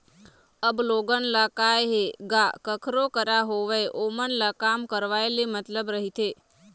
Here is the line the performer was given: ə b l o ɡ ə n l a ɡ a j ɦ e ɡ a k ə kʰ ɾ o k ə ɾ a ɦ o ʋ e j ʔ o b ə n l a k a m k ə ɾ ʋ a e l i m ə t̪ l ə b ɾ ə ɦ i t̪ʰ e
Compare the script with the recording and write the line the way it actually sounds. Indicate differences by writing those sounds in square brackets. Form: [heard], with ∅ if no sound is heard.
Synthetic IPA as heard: ə b l o ɡ ə n l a [k] a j ɦ e ɡ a k ə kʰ ɾ o k ə ɾ a ɦ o ʋ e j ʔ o [m] ə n l a k a m k ə ɾ ʋ a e l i m ə t̪ l ə b ɾ ə ɦ i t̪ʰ e